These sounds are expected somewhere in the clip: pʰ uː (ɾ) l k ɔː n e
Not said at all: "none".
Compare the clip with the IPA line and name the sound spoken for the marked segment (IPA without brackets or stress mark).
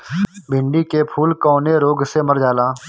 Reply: none